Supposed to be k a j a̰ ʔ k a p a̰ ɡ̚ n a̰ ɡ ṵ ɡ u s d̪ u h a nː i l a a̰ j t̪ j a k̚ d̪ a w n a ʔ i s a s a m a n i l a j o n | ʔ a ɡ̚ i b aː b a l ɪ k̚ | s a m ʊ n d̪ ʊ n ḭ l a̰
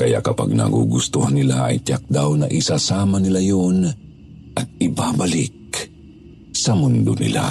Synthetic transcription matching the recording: k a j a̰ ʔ k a p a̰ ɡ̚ n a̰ ɡ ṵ ɡ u s t̪ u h a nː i l a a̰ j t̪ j a k̚ d̪ a w n a ʔ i s a s a m a n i l a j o n | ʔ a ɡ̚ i b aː b a l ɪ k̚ | s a m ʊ n d̪ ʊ n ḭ l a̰